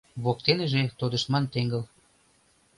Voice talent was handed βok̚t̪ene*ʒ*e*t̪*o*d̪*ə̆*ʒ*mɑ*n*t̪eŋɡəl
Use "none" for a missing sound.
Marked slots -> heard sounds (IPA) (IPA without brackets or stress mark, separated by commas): ʒ, t̪, d̪, ʃ, n